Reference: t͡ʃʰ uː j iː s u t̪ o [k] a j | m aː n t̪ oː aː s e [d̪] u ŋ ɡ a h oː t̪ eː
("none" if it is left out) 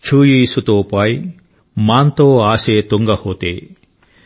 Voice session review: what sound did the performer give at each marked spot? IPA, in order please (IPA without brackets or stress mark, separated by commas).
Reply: p, t̪